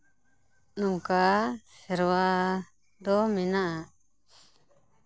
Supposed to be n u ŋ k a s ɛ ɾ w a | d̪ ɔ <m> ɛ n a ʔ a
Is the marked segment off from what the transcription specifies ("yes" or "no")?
no